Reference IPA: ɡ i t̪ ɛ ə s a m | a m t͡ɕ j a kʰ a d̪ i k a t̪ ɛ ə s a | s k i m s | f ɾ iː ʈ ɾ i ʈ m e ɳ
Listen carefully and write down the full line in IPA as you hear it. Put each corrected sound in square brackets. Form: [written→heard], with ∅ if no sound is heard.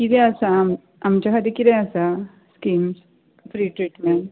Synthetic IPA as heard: [ɡ→k] i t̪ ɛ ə s a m | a m t͡ɕ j a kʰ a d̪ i k [a→i] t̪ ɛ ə s a | s k i m s | f ɾ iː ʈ ɾ i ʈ m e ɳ